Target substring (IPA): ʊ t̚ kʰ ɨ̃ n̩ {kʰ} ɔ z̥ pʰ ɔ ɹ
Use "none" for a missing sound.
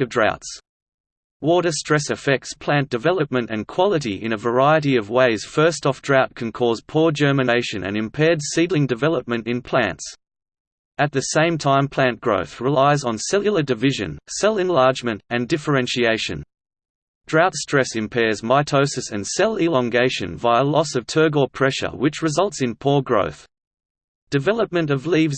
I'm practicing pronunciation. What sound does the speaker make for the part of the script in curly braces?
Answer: kʰ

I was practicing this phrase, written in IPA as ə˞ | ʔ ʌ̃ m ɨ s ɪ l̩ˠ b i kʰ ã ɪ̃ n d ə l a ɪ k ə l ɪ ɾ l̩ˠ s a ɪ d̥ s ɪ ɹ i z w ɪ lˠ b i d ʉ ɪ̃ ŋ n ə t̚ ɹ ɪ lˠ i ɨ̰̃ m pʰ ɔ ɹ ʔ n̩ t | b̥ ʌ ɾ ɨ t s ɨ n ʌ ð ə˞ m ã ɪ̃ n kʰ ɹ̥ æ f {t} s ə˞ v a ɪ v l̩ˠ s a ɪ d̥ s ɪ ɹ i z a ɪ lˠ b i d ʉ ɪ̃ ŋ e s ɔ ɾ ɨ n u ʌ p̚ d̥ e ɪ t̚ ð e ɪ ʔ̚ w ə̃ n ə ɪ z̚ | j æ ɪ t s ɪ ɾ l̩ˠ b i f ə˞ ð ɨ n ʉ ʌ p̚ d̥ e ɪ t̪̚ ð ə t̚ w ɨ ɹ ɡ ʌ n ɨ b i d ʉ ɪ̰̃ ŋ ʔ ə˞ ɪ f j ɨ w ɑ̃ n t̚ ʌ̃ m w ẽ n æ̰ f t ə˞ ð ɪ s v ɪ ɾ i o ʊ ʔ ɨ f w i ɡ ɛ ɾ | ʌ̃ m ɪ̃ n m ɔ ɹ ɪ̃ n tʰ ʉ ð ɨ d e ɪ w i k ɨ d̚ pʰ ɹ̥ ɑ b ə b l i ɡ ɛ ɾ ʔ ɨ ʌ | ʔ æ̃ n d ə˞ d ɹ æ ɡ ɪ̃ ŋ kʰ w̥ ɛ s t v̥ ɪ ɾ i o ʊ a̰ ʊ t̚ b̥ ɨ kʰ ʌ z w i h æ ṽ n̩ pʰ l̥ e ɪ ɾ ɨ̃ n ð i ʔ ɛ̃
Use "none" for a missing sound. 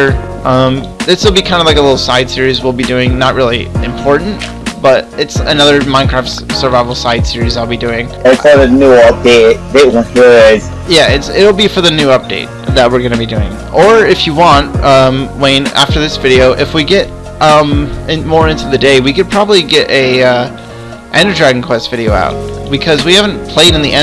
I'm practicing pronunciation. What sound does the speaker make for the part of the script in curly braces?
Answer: t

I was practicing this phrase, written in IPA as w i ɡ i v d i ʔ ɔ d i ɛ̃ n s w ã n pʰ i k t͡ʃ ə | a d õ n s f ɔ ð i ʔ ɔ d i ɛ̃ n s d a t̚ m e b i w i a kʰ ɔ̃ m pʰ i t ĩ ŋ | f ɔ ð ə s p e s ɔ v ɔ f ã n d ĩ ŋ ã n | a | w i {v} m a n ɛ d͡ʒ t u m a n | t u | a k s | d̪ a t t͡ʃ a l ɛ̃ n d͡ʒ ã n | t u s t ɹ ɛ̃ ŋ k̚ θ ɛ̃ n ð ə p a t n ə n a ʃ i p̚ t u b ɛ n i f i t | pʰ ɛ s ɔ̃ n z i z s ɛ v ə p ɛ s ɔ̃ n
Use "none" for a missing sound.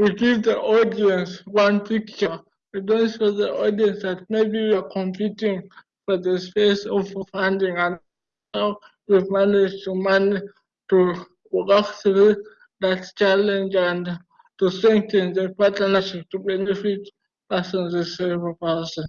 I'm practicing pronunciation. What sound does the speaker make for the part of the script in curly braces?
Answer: v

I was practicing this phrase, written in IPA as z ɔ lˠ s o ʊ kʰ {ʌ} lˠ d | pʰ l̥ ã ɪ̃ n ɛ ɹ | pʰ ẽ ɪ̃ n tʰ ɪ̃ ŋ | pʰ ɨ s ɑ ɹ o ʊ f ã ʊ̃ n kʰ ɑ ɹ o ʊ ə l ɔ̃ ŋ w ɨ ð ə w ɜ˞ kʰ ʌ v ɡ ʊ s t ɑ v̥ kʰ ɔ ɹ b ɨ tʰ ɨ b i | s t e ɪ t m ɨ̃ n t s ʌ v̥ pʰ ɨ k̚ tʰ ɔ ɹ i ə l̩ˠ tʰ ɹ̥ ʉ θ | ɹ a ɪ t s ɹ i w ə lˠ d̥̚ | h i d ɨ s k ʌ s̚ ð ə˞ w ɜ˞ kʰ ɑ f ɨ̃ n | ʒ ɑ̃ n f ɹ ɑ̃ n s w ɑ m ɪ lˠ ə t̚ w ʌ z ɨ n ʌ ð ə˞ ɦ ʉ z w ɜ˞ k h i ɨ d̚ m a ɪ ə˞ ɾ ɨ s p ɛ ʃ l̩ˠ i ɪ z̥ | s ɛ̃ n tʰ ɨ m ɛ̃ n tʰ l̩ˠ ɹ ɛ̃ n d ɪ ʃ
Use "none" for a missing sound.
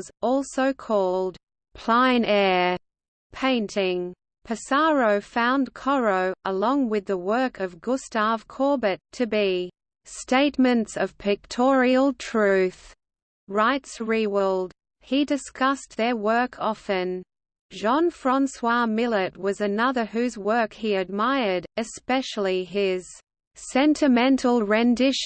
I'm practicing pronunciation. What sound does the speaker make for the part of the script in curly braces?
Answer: ɔ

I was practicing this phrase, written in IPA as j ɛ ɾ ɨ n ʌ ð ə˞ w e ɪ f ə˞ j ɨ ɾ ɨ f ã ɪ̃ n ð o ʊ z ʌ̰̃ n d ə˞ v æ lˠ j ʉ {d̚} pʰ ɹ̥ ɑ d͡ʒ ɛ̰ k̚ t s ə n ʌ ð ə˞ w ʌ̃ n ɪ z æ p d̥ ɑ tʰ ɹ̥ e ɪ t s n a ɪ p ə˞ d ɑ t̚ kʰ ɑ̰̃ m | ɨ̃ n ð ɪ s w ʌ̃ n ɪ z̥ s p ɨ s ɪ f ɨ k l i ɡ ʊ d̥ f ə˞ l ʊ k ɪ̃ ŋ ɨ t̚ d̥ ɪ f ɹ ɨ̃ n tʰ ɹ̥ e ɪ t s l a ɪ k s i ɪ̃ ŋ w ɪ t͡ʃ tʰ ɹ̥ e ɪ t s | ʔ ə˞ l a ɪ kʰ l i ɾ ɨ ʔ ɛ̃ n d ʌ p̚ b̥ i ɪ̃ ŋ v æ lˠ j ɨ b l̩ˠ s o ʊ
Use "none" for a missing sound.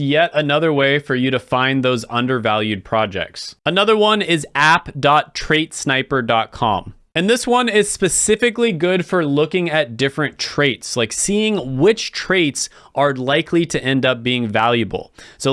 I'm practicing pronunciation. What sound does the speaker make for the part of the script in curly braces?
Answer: d̚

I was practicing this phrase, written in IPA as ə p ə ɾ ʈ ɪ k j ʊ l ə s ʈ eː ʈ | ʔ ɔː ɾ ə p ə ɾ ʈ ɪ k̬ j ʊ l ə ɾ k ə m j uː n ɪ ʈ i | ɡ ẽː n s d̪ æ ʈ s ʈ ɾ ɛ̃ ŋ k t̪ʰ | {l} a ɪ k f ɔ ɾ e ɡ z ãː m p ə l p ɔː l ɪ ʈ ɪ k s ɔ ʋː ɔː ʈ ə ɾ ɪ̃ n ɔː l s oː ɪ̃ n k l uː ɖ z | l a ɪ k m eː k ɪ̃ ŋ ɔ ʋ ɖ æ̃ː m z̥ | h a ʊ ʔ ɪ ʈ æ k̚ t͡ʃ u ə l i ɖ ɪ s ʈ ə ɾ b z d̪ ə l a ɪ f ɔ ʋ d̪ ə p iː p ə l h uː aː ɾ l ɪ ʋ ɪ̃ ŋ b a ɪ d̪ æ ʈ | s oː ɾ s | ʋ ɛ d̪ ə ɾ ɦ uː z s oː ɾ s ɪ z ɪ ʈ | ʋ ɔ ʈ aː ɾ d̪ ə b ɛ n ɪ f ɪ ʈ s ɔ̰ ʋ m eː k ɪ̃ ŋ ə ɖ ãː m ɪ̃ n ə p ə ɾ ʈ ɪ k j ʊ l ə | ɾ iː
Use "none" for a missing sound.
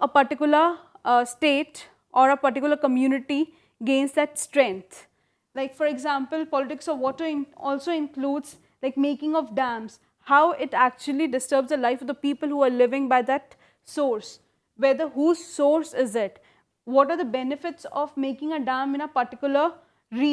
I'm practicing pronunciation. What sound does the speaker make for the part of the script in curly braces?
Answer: l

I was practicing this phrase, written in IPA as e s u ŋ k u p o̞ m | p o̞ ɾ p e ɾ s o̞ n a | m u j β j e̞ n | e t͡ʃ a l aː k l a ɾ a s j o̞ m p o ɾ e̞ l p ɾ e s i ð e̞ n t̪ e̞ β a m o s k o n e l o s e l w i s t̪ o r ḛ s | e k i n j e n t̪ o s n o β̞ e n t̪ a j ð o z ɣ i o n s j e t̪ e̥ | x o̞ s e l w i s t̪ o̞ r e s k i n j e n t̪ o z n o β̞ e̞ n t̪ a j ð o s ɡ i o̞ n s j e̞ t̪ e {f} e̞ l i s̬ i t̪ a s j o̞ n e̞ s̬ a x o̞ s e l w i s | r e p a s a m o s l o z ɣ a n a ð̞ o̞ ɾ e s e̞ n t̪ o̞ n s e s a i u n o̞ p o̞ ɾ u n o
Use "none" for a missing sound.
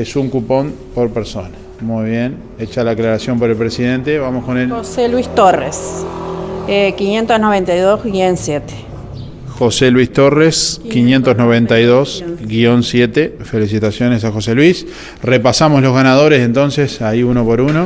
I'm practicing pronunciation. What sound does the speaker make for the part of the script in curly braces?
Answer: f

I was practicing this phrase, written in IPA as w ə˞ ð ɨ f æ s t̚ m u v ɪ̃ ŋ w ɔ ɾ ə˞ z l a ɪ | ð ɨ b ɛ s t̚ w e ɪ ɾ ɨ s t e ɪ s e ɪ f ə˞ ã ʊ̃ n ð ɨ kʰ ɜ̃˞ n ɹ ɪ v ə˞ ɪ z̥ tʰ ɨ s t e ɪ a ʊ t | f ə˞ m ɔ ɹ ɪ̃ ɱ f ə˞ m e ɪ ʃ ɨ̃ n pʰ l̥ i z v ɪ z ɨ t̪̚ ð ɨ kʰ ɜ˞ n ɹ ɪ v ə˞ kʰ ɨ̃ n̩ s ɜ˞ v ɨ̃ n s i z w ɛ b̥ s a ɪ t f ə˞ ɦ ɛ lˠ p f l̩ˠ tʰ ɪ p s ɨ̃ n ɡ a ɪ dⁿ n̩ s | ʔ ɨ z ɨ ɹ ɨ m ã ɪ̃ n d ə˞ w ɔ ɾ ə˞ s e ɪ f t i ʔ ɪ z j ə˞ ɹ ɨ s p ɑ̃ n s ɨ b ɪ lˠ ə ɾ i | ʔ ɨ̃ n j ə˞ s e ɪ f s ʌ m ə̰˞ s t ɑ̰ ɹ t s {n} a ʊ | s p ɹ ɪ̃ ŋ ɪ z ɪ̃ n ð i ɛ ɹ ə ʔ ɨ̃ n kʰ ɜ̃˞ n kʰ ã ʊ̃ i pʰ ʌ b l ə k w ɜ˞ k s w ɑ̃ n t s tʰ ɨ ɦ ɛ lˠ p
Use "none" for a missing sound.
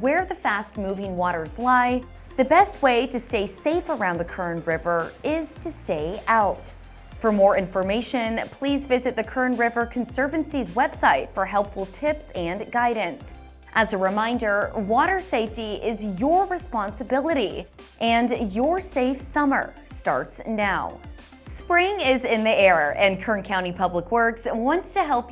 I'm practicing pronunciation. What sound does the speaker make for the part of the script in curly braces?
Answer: n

